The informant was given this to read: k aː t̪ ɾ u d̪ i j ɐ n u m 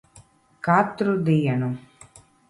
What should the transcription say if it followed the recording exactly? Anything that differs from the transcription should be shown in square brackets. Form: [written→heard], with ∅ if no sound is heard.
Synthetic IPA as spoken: k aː t̪ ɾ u d̪ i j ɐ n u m